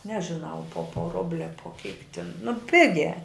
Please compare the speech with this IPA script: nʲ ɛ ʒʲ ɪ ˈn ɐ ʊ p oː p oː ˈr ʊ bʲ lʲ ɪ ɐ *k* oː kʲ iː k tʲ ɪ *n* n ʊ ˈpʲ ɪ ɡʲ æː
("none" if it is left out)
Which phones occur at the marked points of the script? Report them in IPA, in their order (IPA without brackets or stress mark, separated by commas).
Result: p, n